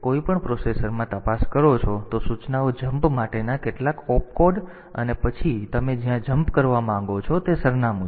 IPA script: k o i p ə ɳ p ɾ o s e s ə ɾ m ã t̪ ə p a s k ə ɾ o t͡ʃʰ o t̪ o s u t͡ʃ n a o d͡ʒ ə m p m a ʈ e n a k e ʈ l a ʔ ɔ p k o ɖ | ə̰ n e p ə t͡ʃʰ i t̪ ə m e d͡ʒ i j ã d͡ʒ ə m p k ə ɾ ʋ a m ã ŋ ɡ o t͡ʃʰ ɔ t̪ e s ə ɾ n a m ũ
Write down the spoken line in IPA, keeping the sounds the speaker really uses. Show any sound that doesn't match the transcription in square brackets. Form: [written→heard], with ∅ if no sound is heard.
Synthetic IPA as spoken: k o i p ə ɳ p ɾ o s e s ə ɾ m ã t̪ ə p a s k ə ɾ o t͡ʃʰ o t̪ o s u t͡ʃ n a o d͡ʒ ə m p m a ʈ e n a k e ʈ l a [ʔ→k] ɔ p k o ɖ | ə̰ n e p ə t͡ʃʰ i t̪ ə m e d͡ʒ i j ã d͡ʒ ə m p k ə ɾ ʋ a m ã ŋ ɡ o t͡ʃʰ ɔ t̪ e s ə ɾ n a m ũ